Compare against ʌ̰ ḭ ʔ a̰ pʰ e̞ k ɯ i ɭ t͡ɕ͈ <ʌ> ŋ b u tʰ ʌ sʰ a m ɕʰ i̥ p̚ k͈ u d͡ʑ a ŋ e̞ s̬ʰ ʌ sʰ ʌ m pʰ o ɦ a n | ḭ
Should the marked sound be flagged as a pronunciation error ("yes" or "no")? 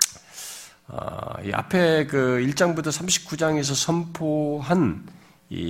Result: yes